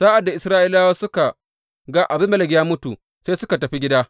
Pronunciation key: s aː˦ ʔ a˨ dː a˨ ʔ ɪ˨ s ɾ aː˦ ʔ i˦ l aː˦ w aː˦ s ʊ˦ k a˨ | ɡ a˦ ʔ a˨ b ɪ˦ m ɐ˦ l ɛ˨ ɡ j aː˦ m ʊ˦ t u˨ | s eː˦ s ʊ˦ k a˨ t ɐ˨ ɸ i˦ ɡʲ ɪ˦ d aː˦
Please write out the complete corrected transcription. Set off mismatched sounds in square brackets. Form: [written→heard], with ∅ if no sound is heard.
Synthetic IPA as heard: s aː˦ ʔ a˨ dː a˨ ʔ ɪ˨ s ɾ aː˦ ʔ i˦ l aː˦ w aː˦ s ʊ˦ k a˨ | ɡ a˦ ʔ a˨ b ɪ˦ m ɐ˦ l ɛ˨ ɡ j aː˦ m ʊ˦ t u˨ | s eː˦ s ʊ˦ k a˨ t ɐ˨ ɸ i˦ ɡʲ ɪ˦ d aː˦

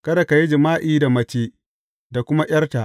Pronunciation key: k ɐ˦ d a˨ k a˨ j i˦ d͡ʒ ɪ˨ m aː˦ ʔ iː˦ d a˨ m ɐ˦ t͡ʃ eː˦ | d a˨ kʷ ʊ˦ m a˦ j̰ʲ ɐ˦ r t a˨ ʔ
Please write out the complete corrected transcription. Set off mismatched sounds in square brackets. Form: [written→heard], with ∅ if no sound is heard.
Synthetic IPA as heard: k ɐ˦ d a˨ k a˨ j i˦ d͡ʒ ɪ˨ m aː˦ ʔ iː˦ d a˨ m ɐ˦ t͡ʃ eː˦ | d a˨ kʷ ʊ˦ m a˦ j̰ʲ ɐ˦ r t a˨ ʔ

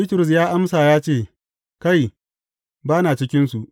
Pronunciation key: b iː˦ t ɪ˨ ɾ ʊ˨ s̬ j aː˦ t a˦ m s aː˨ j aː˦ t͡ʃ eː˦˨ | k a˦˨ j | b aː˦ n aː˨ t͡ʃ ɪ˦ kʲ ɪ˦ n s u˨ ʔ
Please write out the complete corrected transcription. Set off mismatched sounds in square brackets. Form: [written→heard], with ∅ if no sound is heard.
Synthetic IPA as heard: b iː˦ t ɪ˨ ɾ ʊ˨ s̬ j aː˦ [t→ʔ] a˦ m s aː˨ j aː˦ t͡ʃ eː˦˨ | k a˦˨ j | b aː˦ n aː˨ t͡ʃ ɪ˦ kʲ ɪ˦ n s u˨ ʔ

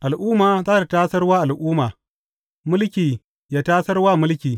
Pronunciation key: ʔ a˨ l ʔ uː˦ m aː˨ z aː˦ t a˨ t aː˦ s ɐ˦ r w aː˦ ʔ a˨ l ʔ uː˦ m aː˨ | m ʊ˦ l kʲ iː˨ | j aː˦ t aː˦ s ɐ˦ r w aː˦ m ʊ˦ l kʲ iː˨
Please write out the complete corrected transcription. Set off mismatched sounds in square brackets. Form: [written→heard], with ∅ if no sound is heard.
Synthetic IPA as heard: ʔ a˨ l ʔ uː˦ m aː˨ z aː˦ t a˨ t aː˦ s ɐ˦ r w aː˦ ʔ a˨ l ʔ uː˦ m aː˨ | m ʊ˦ l kʲ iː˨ | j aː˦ t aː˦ s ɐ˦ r w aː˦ m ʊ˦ l kʲ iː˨

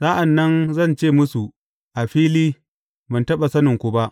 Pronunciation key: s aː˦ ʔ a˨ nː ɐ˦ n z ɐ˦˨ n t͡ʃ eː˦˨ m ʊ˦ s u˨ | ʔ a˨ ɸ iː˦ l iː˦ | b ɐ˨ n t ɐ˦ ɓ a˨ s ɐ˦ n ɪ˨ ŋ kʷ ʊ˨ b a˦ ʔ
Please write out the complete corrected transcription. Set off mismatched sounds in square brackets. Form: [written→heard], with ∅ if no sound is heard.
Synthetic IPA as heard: s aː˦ ʔ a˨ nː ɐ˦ n z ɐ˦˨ n t͡ʃ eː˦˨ m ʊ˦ s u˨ | ʔ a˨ ɸ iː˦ l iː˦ | b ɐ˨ n t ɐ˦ ɓ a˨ s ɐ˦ n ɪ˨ ŋ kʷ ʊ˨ b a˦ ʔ

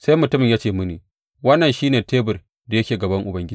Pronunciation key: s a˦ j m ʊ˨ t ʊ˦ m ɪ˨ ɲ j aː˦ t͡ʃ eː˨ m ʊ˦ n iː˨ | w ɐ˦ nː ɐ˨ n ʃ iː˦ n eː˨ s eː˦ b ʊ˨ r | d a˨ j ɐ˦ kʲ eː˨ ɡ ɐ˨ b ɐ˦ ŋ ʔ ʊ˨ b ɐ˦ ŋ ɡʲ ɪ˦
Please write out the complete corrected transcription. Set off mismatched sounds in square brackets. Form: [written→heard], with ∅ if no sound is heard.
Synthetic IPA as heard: s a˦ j m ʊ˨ t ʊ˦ m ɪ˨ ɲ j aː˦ t͡ʃ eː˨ m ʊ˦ n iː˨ | w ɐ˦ nː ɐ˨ n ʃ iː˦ n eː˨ [s→t] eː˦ b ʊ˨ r | d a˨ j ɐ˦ kʲ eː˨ ɡ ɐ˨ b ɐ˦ ŋ ʔ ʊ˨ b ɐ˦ ŋ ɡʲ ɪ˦

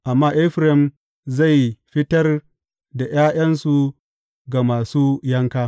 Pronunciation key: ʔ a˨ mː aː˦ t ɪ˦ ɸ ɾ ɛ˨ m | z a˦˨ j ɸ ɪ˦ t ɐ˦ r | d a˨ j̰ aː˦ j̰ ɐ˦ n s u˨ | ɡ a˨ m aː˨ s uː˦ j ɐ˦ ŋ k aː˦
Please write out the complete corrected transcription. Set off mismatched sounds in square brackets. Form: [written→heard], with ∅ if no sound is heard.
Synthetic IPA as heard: ʔ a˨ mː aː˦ [t→ʔ] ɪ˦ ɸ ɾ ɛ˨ m | z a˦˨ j ɸ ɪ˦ t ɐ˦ r | d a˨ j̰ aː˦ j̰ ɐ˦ n s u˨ | ɡ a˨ m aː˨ s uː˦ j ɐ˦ ŋ k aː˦

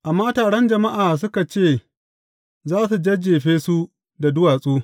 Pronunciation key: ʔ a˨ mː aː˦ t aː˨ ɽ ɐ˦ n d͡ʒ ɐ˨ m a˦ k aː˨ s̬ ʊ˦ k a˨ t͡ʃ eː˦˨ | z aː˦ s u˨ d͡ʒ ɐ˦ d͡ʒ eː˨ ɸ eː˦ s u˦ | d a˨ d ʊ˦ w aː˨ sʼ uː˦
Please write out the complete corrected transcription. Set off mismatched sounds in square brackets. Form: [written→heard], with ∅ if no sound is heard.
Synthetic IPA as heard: ʔ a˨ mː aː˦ t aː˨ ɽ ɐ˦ n d͡ʒ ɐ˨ m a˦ [k→ʔ] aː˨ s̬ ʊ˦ k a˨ t͡ʃ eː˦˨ | z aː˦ s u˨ d͡ʒ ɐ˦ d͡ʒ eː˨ ɸ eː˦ s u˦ | d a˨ d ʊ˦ w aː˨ sʼ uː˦

